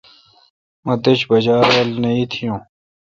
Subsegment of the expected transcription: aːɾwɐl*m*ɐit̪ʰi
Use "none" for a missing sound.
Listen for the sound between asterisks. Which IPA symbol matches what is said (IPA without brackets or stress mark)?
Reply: n